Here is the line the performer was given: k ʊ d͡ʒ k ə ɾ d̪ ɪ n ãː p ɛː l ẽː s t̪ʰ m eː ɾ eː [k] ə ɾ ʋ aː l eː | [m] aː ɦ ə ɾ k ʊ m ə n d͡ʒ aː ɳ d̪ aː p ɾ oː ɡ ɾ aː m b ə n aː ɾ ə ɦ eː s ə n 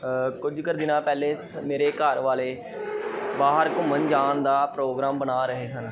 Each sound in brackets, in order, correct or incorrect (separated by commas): correct, incorrect